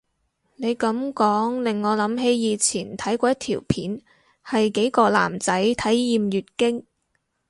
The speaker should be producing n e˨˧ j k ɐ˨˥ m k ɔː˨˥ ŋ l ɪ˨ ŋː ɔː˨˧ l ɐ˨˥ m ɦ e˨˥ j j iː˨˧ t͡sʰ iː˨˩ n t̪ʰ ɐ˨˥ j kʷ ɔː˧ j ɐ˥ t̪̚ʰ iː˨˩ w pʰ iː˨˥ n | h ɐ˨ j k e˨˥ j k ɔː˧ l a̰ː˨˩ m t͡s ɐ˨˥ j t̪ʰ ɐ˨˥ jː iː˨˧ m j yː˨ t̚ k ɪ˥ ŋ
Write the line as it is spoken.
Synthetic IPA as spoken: n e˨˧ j k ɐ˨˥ m k ɔː˨˥ ŋ l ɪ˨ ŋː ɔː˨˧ l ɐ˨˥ m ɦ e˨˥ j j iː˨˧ t͡sʰ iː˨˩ n t̪ʰ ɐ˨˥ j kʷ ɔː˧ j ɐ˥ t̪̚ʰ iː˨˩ w pʰ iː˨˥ n | h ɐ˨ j k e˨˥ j k ɔː˧ l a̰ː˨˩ m t͡s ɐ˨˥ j t̪ʰ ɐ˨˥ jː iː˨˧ m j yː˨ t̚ k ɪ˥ ŋ